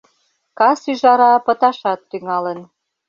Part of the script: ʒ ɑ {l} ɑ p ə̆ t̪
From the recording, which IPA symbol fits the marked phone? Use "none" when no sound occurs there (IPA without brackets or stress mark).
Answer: ɾ